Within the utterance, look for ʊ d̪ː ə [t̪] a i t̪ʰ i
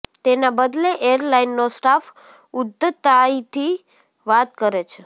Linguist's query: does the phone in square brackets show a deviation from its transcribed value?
no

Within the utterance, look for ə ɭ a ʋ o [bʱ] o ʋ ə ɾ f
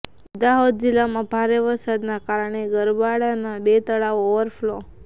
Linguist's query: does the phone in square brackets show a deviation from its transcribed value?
yes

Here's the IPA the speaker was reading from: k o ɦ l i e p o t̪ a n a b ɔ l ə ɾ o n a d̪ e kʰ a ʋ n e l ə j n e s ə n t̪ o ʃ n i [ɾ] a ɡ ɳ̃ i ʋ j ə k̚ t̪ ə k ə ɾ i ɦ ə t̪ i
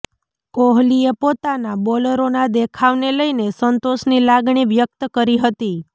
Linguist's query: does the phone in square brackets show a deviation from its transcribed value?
yes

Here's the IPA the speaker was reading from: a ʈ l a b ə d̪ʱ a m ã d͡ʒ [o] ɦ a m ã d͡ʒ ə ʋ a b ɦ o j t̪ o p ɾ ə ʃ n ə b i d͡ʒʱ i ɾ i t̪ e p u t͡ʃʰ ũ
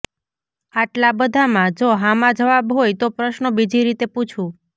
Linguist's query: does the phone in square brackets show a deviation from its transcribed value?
no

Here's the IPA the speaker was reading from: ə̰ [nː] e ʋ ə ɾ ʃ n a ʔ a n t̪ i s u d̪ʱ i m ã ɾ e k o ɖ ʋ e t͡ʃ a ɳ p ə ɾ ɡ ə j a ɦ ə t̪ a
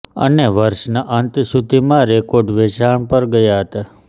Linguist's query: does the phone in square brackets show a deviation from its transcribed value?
yes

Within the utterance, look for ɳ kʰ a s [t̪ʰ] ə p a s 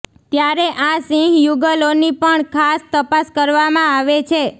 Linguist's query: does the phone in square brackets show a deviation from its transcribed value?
yes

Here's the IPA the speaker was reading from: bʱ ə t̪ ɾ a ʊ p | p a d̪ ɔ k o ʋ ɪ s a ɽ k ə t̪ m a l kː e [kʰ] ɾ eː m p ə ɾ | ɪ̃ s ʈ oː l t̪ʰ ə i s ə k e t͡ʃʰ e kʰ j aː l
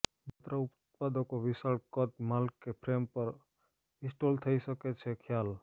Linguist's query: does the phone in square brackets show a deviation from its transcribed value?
yes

